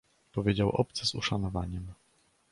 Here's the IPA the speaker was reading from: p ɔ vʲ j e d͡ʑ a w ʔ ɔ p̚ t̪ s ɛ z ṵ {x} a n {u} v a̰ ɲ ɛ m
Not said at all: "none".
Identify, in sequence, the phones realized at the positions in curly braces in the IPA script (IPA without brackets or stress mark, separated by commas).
ʂ, ɔ